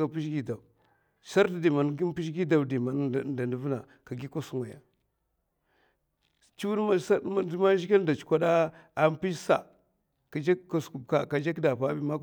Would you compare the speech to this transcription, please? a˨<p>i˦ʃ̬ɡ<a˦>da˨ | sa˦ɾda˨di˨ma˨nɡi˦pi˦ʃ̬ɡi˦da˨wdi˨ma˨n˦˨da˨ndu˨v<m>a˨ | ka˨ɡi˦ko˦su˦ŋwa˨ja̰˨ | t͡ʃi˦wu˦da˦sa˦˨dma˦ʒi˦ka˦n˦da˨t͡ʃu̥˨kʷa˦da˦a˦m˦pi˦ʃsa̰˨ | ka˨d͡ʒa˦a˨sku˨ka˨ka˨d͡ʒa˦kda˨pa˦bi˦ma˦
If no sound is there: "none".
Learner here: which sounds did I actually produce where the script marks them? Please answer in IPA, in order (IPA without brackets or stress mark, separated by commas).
p, i˦, n